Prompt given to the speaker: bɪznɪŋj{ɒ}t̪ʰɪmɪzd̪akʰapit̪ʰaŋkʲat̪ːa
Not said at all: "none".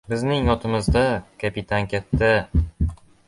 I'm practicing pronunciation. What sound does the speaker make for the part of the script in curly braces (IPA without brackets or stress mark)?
ɒ